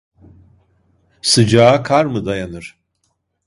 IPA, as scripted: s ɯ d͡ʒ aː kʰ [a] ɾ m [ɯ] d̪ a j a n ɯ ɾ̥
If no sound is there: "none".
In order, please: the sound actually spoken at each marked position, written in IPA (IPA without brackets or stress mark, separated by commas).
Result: a, ɯ